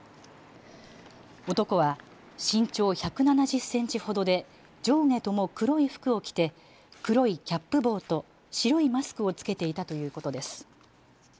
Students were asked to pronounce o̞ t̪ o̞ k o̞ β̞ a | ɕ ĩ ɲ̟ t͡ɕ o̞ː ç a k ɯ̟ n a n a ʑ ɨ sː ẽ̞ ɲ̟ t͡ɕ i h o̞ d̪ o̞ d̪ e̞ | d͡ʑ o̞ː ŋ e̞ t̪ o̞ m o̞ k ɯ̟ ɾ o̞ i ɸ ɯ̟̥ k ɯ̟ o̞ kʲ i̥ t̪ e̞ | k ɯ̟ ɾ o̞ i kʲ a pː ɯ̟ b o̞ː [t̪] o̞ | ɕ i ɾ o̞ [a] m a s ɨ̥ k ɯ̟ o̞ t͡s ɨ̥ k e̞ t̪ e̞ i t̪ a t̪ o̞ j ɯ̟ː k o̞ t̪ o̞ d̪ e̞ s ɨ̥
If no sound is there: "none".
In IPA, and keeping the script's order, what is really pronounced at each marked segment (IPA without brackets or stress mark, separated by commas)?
t̪, i